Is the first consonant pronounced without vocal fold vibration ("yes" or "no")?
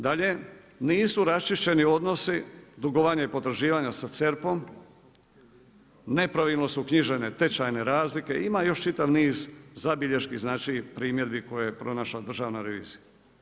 no